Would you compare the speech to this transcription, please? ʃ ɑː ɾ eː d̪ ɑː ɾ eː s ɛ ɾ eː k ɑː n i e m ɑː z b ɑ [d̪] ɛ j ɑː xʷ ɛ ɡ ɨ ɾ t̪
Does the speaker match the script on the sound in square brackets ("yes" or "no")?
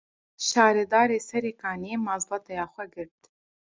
no